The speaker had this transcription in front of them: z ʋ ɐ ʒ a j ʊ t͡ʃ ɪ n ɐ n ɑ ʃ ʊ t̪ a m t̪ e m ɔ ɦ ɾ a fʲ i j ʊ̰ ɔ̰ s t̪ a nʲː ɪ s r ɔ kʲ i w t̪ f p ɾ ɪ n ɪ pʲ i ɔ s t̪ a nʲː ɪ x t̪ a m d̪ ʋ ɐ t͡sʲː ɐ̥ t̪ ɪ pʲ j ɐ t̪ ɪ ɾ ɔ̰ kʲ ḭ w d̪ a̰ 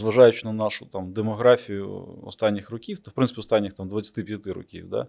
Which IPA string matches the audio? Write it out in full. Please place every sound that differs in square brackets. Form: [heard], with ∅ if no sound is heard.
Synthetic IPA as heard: z ʋ ɐ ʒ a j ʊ t͡ʃ ɪ n ɐ n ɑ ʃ ʊ t̪ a m [d̪] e m ɔ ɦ ɾ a fʲ i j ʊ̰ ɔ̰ s t̪ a nʲː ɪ [x] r ɔ kʲ i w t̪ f p ɾ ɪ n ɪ pʲ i ɔ s t̪ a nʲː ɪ x t̪ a m d̪ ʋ ɐ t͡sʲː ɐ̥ t̪ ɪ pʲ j ɐ t̪ ɪ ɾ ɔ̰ kʲ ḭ w d̪ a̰